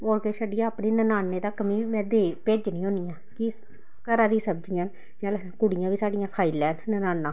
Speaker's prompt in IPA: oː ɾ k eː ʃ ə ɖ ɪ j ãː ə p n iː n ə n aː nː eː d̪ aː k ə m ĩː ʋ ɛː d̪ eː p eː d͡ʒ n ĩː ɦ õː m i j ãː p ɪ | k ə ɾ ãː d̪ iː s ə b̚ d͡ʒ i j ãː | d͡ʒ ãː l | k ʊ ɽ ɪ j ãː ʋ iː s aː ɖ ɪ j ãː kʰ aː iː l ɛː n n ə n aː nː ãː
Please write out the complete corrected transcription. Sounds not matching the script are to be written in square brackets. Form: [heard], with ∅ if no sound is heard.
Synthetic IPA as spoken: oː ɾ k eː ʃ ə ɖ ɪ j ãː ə p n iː n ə n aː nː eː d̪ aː k ə m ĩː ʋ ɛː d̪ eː p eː d͡ʒ n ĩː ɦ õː [n] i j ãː [k] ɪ | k ə ɾ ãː d̪ iː s ə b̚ d͡ʒ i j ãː | d͡ʒ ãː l | k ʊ ɽ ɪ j ãː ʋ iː s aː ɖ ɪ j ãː kʰ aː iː l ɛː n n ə n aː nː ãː